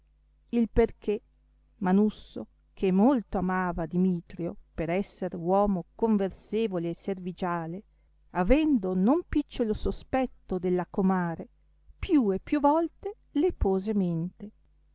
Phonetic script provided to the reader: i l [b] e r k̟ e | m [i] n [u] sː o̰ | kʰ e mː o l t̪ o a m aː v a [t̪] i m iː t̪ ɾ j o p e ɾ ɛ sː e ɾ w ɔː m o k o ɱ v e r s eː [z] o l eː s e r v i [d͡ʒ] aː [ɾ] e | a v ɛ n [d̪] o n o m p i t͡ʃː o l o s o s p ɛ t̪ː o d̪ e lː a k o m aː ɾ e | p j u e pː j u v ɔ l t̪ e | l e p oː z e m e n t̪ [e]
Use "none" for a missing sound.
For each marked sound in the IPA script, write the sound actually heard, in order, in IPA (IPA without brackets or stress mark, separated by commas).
p, a, u, d̪, v, d͡ʒ, l, d̪, e